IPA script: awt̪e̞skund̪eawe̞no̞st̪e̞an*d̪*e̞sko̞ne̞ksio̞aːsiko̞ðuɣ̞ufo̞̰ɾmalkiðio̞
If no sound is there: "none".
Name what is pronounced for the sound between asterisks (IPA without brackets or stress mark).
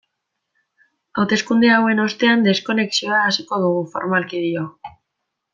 d̪